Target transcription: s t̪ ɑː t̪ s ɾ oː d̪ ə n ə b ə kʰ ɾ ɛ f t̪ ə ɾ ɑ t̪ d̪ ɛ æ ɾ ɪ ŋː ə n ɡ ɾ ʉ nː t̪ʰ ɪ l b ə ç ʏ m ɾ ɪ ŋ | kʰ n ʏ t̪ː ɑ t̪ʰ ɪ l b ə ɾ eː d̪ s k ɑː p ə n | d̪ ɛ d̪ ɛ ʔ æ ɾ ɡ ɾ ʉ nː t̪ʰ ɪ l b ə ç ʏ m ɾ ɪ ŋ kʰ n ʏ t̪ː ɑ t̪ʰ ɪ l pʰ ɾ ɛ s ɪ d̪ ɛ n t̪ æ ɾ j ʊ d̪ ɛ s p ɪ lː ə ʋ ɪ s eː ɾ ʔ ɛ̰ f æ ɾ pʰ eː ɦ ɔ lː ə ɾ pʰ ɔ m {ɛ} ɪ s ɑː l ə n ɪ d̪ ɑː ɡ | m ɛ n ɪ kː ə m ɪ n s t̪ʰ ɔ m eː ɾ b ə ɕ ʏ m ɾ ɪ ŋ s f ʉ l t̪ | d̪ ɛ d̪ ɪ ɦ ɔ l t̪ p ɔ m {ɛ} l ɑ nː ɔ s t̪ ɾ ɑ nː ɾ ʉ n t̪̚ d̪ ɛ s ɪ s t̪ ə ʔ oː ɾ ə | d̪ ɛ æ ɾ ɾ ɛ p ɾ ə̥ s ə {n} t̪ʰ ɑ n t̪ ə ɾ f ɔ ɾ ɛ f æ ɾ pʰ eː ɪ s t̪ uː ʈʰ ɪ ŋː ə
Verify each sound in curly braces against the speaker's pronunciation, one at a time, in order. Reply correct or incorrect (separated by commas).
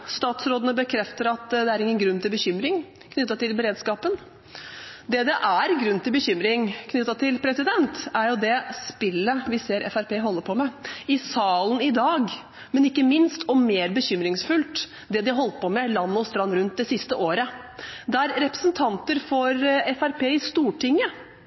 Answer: correct, correct, correct